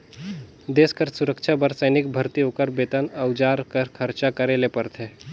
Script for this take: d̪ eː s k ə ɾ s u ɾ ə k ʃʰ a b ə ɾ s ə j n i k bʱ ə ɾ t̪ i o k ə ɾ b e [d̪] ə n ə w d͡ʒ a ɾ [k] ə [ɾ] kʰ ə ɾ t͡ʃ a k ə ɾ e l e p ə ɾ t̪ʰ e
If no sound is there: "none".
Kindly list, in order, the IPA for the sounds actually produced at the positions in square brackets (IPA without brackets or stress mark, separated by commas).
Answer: t̪, k, ɾ